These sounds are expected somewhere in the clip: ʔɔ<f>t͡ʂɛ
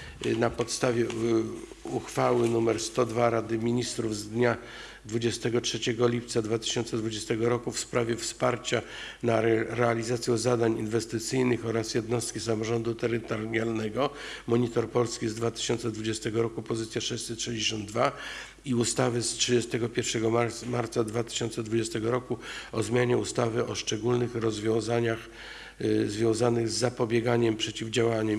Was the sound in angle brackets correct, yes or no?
no